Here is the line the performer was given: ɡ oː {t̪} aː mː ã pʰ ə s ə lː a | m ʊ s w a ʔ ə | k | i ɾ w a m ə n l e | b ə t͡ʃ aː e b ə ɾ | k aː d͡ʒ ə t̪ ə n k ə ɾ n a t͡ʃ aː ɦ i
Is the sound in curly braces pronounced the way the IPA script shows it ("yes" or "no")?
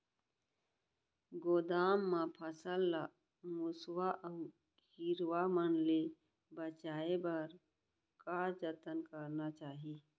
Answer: no